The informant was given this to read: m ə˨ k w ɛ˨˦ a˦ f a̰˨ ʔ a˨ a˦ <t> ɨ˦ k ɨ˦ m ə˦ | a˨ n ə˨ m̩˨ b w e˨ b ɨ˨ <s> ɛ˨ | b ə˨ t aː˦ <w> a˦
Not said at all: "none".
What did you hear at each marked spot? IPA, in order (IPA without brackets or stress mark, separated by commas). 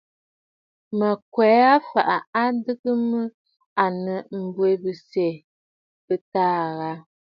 d, s, ɣ